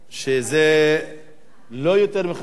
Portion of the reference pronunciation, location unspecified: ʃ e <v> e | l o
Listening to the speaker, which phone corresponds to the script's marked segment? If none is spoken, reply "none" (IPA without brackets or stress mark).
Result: z